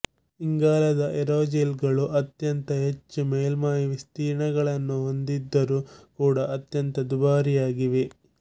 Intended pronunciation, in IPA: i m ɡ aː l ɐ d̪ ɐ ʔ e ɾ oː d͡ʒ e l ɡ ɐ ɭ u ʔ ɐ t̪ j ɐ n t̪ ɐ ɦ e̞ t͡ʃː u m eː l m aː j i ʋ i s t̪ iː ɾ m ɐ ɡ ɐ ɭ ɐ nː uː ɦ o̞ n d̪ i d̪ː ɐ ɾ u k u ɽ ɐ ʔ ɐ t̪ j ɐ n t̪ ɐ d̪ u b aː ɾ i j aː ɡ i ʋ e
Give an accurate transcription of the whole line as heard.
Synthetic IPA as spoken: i ŋ ɡ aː l ɐ d̪ ɐ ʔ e ɾ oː d͡ʒ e l ɡ ɐ ɭ u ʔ ɐ t̪ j ɐ n t̪ ɐ ɦ e̞ t͡ʃː u m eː l m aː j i ʋ i s t̪ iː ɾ ɳ ɐ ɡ ɐ ɭ ɐ nː u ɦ o̞ n d̪ i d̪ː ɐ ɾ u k uː ɽ ɐ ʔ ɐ t̪ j ɐ n t̪ ɐ d̪ u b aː ɾ i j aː ɡ i ʋ e